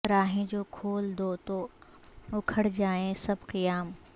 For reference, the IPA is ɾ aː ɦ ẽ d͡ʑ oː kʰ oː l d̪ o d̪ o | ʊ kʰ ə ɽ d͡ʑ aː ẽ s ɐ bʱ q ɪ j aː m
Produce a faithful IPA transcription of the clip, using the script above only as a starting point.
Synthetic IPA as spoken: ɾ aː ɦ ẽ d͡ʑ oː kʰ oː l d̪ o t̪ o | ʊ kʰ ə ɽ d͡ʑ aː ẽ s ɐ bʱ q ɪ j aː m